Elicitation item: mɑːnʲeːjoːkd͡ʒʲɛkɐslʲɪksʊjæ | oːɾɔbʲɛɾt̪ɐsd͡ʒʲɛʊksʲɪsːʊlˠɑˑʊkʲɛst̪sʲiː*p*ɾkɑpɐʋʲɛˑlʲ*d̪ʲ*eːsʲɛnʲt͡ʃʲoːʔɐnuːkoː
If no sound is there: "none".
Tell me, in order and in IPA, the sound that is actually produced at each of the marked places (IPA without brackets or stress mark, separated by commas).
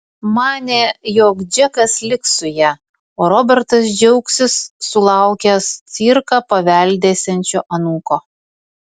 none, d̪ʲ